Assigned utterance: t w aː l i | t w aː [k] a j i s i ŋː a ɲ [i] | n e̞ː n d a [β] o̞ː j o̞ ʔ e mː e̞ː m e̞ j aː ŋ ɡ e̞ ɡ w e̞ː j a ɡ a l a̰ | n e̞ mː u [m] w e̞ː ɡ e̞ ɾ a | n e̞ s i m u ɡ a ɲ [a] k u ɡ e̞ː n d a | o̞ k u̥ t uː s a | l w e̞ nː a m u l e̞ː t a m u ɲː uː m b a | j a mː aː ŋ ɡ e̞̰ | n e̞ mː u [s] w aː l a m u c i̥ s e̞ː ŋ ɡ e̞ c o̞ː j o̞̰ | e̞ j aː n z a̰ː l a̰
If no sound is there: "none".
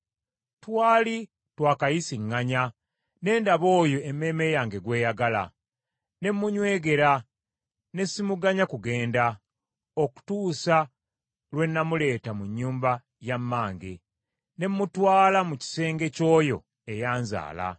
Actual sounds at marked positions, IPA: k, a, β, ɲ, a, t

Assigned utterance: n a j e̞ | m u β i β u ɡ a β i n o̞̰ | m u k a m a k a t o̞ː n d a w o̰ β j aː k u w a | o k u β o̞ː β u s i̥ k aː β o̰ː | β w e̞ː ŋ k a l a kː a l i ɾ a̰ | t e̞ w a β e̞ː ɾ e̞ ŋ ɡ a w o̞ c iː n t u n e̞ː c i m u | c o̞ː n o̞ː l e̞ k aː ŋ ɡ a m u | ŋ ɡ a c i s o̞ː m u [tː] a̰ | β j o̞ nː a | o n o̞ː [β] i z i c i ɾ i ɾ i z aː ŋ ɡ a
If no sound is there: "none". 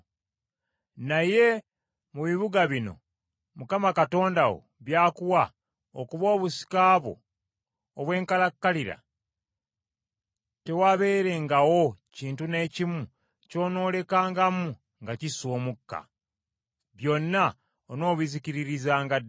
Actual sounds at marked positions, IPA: kː, β

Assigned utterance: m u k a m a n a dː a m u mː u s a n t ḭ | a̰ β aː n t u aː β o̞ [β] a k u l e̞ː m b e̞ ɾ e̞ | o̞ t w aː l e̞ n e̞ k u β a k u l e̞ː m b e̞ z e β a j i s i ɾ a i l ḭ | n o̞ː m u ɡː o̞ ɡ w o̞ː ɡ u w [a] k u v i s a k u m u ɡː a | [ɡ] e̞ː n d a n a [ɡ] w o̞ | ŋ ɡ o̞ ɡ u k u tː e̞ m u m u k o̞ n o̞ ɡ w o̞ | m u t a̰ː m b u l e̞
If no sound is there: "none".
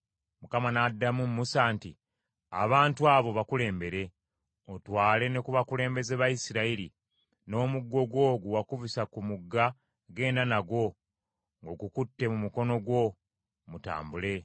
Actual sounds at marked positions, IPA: β, a, ɡ, ɡ

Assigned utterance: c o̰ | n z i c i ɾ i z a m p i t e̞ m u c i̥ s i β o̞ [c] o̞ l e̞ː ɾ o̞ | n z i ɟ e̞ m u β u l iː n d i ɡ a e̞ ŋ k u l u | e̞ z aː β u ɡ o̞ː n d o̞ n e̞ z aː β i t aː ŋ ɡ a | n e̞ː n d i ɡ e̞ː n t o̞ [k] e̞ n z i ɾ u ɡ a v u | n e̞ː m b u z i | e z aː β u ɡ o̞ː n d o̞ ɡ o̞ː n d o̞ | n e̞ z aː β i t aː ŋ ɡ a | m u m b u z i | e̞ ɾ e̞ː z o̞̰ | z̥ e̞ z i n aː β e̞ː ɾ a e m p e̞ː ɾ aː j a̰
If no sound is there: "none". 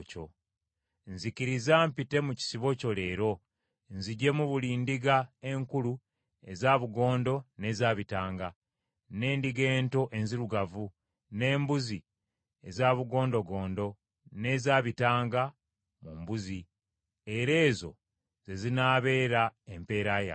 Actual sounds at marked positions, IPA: c, ʔ

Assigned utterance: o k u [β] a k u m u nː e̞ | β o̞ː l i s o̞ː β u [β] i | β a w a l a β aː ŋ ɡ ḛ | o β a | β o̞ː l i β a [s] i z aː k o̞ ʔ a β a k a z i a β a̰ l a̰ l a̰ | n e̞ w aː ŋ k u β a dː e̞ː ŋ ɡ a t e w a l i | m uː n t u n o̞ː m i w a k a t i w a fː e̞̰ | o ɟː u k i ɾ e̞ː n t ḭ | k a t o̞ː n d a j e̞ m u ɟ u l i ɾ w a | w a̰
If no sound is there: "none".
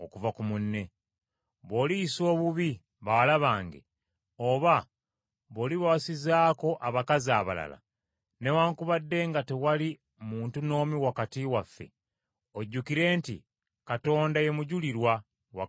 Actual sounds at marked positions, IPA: v, β, s

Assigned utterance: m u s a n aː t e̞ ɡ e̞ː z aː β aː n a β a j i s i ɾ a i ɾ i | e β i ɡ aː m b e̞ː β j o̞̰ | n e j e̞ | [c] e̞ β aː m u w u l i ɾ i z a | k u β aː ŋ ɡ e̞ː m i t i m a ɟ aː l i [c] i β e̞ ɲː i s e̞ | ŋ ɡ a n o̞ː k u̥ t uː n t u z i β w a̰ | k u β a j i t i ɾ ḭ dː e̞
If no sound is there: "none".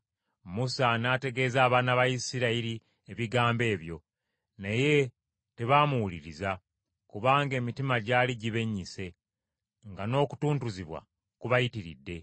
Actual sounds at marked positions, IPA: t, ɟ

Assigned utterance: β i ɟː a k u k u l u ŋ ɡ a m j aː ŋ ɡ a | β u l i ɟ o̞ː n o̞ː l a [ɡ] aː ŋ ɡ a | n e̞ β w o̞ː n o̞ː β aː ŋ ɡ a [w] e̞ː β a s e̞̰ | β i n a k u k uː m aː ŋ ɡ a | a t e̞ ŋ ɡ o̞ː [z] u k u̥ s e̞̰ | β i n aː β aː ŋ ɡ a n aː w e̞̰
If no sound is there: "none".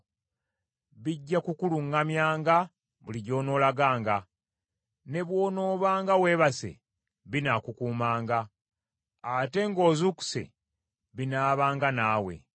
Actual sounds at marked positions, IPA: ɡ, w, z

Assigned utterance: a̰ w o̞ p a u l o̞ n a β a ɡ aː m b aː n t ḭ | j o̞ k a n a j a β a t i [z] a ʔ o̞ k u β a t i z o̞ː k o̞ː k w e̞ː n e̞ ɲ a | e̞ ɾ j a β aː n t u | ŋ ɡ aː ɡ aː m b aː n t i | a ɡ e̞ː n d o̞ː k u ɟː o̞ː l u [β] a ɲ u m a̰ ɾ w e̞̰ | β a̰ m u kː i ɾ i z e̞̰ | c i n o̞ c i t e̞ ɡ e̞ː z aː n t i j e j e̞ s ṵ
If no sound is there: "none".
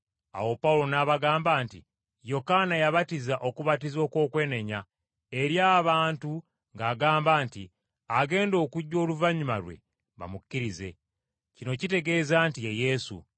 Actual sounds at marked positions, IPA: z, v

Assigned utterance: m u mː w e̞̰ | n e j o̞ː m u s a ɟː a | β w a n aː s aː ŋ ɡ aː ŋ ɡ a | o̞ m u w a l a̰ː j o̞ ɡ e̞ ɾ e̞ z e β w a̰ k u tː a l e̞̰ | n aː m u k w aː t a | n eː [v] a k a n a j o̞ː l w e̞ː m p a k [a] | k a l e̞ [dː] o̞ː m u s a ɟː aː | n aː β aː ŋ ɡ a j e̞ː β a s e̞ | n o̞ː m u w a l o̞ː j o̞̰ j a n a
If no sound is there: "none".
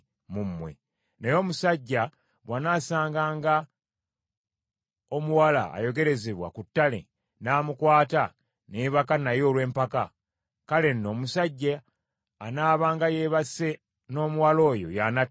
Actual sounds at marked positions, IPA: β, a, nː

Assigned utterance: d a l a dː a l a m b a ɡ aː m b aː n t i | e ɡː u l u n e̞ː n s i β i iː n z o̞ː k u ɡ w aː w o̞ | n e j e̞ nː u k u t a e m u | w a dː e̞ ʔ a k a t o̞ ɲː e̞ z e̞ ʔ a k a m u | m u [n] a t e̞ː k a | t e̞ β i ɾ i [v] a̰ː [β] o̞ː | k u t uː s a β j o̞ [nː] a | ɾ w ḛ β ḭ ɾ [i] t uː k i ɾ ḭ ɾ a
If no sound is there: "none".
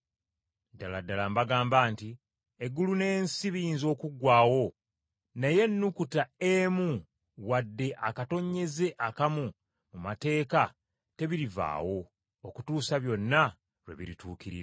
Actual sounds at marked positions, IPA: m, v, w, nː, i

